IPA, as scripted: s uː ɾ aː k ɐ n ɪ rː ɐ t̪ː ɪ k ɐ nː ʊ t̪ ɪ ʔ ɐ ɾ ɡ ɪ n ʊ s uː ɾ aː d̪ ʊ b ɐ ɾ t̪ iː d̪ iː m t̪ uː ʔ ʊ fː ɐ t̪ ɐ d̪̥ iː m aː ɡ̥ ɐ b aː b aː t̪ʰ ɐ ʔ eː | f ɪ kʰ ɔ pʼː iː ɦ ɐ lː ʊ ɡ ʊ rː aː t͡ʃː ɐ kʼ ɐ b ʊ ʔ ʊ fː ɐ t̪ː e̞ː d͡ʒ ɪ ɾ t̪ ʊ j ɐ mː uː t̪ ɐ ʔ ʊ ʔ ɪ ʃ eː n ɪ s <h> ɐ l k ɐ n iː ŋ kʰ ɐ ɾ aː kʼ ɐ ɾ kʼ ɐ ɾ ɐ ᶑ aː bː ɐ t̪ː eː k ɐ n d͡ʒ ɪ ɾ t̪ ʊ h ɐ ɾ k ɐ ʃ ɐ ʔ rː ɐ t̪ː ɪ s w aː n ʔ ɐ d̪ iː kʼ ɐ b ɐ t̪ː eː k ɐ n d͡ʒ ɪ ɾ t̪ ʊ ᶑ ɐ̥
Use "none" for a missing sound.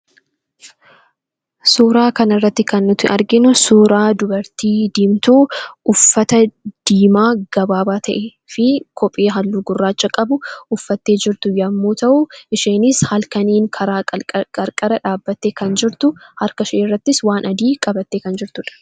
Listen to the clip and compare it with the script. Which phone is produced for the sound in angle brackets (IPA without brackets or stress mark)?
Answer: h